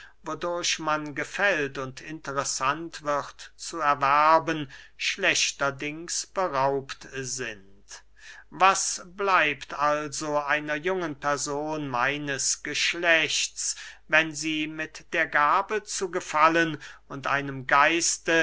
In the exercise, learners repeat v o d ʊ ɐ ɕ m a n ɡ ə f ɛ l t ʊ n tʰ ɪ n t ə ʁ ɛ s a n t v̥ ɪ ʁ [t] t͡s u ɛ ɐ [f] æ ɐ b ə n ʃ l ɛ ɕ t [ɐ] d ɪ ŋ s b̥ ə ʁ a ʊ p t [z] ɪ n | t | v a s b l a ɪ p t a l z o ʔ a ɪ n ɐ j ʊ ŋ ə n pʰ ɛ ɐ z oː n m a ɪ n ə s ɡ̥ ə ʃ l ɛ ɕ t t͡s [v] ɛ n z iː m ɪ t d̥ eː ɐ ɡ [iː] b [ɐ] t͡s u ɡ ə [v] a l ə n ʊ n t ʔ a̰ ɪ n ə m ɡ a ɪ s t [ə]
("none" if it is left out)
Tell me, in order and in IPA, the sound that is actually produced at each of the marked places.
t, v, ɐ, z, v, aː, ə, f, ə

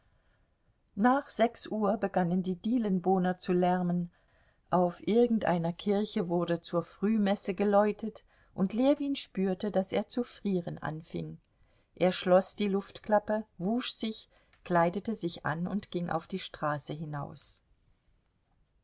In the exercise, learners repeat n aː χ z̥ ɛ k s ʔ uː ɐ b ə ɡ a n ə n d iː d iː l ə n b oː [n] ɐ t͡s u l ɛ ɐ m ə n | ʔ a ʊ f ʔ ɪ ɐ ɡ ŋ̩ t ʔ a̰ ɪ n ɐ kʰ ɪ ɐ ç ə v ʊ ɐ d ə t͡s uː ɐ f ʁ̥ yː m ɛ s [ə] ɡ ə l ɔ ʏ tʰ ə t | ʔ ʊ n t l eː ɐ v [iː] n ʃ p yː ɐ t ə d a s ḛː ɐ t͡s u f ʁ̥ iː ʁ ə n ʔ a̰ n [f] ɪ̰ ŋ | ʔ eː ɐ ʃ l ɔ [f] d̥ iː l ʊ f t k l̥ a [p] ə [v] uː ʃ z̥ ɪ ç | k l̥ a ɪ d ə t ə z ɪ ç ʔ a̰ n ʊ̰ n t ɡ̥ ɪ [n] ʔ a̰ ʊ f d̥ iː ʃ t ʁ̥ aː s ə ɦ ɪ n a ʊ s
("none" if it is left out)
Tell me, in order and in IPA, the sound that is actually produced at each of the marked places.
n, ə, iː, f, s, p, v, ŋ

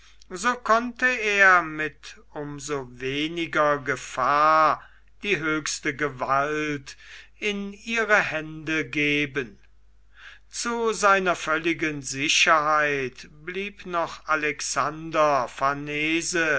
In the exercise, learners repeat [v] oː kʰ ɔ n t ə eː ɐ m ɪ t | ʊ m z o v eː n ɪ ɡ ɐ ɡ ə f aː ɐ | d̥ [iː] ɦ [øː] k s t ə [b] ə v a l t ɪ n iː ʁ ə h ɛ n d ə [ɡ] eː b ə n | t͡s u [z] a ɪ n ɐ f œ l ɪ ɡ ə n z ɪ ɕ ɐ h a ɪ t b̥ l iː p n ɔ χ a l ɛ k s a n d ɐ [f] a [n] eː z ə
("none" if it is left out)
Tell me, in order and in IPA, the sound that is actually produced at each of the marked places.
z, iː, øː, ɡ, ɡ, z, f, n

